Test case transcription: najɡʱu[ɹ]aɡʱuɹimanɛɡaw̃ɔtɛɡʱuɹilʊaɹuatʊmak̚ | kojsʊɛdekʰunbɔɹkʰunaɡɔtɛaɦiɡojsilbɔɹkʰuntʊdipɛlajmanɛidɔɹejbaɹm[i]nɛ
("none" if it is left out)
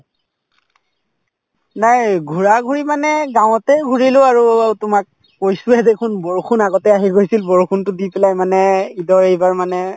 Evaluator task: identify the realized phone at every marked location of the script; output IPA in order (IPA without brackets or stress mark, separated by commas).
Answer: ɹ, a